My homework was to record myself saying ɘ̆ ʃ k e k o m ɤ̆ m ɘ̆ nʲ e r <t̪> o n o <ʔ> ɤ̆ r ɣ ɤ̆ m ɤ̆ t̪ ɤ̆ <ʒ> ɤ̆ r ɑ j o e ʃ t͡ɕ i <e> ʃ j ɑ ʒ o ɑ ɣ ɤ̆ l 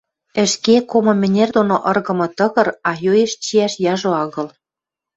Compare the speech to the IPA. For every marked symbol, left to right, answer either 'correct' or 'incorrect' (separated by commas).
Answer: incorrect, correct, incorrect, incorrect